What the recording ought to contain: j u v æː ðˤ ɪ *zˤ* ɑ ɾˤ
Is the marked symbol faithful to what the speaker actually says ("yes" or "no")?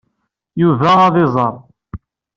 yes